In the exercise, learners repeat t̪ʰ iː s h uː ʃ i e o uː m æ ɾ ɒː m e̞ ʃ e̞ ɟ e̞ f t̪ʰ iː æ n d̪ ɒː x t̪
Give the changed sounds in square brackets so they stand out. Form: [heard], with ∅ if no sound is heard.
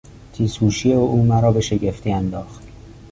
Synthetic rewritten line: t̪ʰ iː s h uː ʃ i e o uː m æ ɾ ɒː [b] e̞ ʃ e̞ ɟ e̞ f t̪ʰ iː æ n d̪ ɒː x t̪